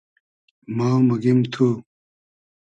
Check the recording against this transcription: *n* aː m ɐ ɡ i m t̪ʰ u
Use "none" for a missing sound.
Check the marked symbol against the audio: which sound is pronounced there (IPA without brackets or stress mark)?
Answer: m